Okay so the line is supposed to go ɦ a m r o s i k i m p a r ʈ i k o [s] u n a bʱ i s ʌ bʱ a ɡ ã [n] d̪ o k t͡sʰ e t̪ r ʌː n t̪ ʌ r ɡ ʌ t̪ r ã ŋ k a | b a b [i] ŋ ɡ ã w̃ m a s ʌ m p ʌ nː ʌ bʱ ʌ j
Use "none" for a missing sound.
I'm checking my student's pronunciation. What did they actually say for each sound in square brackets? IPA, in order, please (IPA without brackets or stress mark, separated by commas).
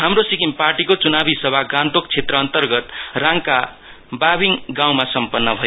t͡s, n, i